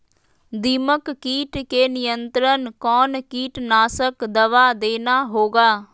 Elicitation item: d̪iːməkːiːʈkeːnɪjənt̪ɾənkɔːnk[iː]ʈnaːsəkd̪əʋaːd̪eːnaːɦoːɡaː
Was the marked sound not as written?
no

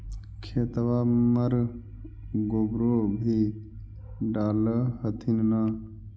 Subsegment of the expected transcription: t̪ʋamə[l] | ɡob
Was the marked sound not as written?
yes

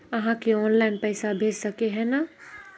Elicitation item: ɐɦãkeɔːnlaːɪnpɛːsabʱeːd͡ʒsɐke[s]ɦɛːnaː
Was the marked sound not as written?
yes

